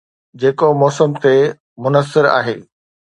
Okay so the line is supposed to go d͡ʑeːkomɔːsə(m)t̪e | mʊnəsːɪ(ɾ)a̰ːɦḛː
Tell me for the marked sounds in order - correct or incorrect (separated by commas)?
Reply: correct, correct